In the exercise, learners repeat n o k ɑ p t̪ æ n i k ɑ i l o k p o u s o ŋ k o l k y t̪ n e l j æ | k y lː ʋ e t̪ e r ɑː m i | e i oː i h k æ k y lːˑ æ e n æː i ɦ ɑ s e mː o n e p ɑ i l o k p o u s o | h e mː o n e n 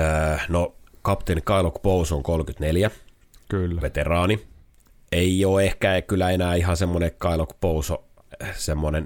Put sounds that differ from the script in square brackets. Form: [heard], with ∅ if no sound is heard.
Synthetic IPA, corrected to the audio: n o k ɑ p t̪ [e] n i k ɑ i l o k p o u s o ŋ k o l k y t̪ n e l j æ | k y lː ʋ e t̪ e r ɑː [n] i | e i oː [e] h k æ k y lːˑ æ e n æː i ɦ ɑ s e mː o n e [k] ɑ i l o k p o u s o | [s] e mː o n e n